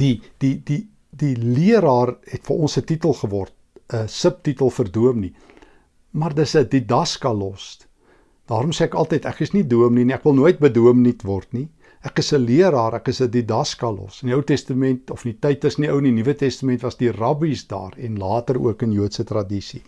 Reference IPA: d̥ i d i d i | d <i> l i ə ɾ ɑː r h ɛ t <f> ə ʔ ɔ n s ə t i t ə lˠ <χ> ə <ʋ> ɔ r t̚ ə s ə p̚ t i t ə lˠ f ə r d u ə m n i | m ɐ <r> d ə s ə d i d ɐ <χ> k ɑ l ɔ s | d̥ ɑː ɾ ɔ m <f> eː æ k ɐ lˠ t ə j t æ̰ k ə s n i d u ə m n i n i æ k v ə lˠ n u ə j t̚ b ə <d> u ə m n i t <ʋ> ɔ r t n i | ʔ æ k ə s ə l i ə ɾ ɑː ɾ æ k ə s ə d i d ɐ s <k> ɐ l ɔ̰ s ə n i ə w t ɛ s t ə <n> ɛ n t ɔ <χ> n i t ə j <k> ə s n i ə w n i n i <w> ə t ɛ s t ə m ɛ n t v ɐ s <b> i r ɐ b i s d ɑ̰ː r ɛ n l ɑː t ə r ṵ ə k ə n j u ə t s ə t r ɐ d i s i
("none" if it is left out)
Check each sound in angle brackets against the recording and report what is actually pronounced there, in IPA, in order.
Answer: i, f, χ, v, r, s, s, d, v, k, m, f, t, v, d

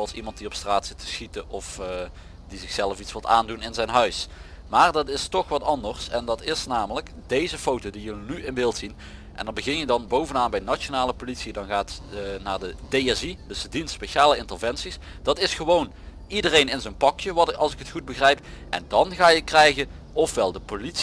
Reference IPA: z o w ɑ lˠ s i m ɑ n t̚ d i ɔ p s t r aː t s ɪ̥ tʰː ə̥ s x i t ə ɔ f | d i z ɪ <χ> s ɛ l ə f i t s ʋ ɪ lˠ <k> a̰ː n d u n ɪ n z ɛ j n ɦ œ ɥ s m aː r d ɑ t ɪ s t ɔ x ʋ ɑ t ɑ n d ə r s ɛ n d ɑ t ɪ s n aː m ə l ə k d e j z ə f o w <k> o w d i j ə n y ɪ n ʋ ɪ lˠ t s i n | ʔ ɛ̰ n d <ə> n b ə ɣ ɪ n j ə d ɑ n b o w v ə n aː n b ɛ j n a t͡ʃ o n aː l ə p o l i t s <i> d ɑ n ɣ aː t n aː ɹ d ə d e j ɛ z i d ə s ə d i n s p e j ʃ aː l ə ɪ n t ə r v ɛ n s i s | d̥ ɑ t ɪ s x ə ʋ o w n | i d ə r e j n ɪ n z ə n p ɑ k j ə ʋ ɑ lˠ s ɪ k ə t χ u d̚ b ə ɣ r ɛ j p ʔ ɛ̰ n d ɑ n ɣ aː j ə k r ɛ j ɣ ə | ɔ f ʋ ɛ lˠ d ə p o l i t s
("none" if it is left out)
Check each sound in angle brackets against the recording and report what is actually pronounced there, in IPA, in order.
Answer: x, t, t, ɑ, i

